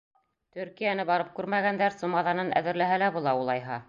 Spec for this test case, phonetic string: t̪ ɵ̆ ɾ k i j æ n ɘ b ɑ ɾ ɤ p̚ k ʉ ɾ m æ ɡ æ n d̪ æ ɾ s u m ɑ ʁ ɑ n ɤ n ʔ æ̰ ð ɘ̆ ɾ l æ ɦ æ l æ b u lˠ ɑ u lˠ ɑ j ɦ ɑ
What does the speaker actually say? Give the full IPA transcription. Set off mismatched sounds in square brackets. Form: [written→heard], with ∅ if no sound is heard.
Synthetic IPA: t̪ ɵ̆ ɾ k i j æ n ɘ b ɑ ɾ ɤ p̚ k ʉ ɾ m æ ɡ æ n d̪ æ ɾ s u m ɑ [ʁ→ð] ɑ n ɤ n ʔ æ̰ ð ɘ̆ ɾ l æ ɦ æ l æ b u lˠ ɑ u lˠ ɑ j ɦ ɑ